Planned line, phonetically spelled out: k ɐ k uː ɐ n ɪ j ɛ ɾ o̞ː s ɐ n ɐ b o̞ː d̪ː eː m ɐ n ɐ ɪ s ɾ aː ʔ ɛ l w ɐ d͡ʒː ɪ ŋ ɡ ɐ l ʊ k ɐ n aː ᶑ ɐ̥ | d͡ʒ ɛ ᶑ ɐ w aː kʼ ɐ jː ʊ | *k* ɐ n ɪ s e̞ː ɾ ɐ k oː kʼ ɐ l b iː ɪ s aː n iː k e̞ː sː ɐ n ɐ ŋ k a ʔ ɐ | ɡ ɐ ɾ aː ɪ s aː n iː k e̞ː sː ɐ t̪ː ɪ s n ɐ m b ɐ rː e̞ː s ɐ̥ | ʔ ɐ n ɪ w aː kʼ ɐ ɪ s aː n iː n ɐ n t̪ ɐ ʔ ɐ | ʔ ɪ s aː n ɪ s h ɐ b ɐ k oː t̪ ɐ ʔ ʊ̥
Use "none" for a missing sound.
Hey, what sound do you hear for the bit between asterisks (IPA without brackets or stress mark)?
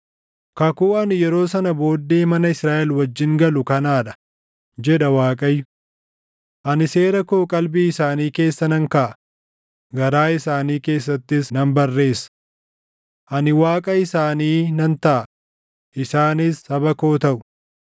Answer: ʔ